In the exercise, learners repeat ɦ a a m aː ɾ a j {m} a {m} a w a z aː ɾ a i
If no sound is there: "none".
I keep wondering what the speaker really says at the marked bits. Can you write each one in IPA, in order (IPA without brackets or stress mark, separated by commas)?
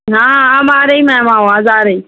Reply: m, m